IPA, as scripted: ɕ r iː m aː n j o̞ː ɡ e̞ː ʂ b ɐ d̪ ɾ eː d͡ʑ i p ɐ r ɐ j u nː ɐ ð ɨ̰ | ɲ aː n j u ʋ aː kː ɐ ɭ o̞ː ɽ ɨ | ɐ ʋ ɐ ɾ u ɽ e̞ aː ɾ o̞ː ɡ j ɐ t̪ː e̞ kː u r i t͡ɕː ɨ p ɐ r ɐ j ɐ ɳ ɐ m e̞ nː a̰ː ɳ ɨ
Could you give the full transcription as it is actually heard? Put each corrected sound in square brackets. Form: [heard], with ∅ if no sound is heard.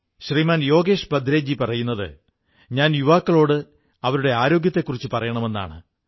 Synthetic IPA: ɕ r iː m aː n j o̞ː ɡ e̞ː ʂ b ɐ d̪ ɾ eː d͡ʑ i p ɐ r ɐ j u nː ɐ ð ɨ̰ | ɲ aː n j u ʋ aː kː ɐ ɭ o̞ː ɽ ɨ | ɐ ʋ ɐ ɾ u ɽ e̞ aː ɾ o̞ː ɡ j ɐ t̪ː e̞ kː u r i t͡ɕː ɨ p ɐ r ɐ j ɐ ɳ ɐ m e̞ nː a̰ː ɳ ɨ